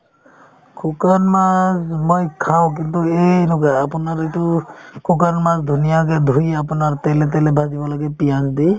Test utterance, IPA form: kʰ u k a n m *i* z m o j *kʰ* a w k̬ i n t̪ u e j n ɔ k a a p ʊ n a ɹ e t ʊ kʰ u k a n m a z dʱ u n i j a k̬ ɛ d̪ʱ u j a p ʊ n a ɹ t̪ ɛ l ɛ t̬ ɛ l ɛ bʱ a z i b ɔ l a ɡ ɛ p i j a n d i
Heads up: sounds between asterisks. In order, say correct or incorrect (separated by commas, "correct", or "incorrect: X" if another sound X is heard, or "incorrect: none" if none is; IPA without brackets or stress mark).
incorrect: a, correct